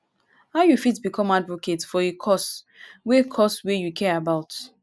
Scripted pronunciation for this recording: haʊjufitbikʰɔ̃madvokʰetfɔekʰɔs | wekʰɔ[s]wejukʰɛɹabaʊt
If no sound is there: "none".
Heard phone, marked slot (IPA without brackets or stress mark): s